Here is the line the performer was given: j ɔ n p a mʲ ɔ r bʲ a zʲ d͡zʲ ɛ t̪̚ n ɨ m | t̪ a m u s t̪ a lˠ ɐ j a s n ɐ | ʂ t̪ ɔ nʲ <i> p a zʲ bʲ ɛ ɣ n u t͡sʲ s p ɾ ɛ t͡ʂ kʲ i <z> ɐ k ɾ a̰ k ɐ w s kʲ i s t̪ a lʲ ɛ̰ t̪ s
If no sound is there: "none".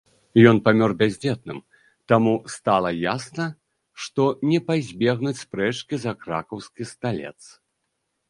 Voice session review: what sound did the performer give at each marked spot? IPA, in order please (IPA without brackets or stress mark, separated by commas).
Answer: ɛ, z